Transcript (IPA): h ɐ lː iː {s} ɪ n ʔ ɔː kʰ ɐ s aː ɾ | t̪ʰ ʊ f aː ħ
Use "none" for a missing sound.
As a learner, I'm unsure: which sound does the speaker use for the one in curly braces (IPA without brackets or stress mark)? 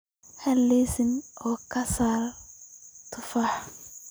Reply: s